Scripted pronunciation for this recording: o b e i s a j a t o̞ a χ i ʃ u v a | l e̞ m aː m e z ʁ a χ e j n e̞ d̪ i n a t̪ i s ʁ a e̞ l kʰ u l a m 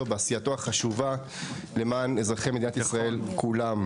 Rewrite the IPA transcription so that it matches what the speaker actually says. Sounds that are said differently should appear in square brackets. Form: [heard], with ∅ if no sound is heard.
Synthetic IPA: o b e [a] s [i] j a t o̞ a χ [a] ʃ u v a | l e̞ m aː [n] e z ʁ a χ e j [m] e̞ d̪ i n a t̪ i s ʁ a e̞ l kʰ u l a m